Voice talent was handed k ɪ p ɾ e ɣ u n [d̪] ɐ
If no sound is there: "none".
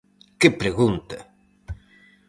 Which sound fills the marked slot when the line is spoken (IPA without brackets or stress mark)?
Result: t̪